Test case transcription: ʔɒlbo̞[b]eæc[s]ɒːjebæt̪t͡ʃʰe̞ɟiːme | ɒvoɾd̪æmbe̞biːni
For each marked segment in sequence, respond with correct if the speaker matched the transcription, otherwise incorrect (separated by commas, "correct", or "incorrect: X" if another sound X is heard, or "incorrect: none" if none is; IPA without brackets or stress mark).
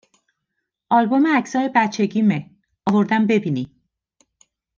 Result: incorrect: m, correct